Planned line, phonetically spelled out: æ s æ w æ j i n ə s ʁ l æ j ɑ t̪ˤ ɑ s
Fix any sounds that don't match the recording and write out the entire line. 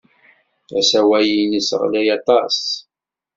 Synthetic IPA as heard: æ s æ w æ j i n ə s ʁ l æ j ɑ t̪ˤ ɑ s